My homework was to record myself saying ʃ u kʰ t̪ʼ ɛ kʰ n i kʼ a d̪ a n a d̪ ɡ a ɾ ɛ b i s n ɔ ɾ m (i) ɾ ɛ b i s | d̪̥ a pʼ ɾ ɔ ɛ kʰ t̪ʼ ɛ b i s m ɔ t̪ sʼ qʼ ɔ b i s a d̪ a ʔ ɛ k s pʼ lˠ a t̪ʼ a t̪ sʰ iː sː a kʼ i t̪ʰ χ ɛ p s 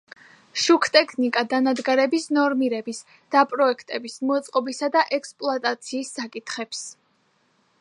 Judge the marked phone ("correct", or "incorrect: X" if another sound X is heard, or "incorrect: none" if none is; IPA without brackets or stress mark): correct